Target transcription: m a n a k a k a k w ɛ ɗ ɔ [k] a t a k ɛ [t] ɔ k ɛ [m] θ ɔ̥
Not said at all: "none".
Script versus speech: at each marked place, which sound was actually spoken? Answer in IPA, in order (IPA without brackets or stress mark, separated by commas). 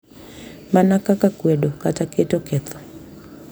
k, t, none